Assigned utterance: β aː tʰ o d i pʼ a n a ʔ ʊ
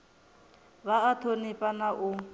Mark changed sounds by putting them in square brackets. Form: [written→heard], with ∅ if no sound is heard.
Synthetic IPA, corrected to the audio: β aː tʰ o [d→n] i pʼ a n a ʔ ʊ